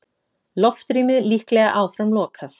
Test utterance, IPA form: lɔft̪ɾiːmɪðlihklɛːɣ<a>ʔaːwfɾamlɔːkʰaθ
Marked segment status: correct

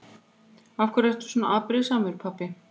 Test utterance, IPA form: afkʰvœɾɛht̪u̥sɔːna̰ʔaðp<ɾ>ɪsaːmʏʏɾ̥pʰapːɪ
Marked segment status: correct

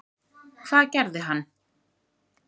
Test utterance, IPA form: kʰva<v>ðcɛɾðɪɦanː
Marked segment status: incorrect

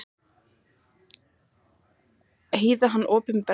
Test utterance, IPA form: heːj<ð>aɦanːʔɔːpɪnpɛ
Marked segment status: correct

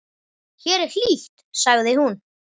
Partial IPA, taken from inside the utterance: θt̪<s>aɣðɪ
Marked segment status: correct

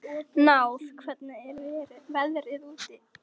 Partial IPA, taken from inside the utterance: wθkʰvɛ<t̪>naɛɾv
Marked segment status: correct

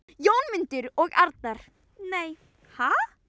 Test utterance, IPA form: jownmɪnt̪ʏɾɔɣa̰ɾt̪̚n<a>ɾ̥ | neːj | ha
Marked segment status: correct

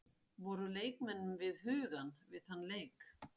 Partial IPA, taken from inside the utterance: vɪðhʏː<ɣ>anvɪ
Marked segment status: correct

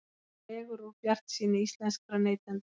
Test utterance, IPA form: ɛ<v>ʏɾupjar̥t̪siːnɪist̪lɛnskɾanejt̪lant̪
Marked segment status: incorrect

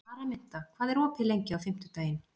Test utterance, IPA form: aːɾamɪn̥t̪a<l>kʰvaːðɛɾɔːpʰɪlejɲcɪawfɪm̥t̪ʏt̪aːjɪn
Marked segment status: incorrect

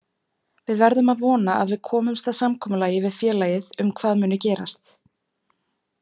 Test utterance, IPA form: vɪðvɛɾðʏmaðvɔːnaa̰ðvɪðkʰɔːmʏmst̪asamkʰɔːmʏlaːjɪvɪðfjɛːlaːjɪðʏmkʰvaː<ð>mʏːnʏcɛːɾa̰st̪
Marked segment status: correct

